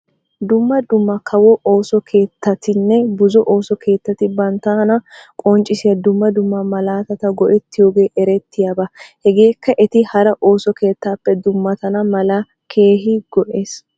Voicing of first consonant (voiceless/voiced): voiced